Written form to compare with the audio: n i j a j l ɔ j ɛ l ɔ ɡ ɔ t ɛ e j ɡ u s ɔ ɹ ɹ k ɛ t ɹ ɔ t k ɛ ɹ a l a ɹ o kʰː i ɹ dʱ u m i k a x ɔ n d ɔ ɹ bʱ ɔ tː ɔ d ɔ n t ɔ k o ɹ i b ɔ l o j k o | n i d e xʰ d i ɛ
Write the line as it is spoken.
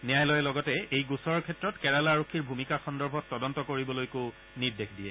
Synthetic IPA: n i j a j l ɔ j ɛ l ɔ ɡ ɔ t ɛ e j ɡ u s ɔ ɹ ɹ kʰ ɛ t ɹ ɔ t k ɛ ɹ a l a ɹ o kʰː i ɹ bʱ u m i k a x ɔ n d ɔ ɹ bʱ ɔ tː ɔ d ɔ n t ɔ k o ɹ i b ɔ l o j k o | n i d e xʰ d i ɛ